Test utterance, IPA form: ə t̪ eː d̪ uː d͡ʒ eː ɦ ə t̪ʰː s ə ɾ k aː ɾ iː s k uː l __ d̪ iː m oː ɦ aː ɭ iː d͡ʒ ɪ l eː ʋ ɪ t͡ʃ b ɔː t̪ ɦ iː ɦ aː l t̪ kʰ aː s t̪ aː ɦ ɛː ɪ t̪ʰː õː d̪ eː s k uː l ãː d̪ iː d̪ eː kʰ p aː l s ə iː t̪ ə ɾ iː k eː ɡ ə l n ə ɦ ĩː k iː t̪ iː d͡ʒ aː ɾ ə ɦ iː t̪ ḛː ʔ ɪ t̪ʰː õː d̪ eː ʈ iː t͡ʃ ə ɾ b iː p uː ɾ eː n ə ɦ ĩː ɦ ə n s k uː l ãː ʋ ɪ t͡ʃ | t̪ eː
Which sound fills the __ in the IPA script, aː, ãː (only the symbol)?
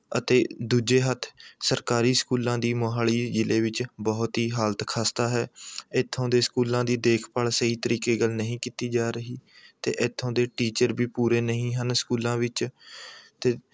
ãː